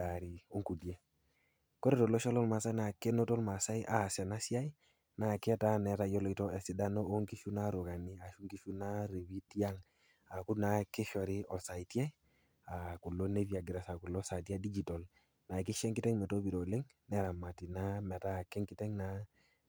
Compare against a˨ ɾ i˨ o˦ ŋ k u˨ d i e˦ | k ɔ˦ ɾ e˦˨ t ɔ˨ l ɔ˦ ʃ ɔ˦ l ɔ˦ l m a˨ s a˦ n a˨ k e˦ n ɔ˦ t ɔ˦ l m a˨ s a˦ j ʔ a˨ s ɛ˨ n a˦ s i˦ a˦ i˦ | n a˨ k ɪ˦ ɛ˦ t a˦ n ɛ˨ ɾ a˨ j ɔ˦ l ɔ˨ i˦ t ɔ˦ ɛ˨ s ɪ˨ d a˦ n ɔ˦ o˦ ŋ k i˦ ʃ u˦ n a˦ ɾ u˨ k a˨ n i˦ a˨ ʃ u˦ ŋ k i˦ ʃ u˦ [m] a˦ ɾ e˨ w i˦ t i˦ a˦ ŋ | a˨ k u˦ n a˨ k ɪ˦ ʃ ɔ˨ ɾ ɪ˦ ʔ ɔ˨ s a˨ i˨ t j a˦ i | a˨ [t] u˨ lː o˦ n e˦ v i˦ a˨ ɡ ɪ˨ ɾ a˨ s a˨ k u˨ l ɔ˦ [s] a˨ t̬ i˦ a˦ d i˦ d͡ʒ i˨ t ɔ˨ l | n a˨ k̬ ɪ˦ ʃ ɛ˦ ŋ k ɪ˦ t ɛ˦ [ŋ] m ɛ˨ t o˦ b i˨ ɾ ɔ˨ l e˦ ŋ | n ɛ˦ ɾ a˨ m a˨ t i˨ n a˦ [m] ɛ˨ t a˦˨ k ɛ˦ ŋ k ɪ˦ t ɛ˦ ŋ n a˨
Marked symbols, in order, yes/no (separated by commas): no, no, yes, yes, yes